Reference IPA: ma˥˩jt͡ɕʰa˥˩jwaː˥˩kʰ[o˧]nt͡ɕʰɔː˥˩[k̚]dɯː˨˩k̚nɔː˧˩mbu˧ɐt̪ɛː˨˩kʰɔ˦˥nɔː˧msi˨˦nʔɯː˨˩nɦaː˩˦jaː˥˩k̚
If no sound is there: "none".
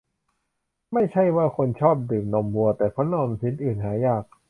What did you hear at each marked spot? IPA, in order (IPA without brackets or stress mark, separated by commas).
o˧, p̚